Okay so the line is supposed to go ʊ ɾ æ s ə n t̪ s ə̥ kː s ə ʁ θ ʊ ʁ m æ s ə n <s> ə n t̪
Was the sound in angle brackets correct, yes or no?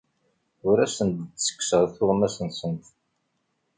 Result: yes